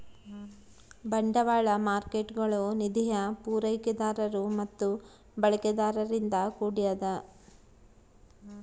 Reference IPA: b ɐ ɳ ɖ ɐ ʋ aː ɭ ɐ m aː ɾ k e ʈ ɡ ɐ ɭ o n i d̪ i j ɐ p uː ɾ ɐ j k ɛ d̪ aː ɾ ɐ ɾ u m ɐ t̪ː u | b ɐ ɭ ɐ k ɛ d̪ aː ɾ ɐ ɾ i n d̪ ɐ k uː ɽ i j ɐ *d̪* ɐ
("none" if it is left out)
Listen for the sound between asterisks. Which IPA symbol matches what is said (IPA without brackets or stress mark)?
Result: d̪